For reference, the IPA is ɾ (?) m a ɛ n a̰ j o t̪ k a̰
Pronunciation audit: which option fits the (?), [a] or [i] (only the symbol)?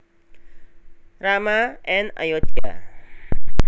a